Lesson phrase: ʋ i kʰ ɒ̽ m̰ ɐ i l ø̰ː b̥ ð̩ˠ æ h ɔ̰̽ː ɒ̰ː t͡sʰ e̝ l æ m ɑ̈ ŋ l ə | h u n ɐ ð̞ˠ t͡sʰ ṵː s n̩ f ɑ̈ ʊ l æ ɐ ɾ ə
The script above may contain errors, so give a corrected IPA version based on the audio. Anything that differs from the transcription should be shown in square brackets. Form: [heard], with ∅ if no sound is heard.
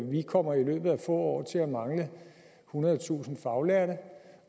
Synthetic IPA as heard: ʋ i kʰ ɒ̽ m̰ ɐ i l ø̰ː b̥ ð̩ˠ æ [f] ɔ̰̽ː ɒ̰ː t͡sʰ e̝ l æ m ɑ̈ ŋ l ə | h u n ɐ ð̞ˠ t͡sʰ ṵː s n̩ f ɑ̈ ʊ l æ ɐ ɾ ə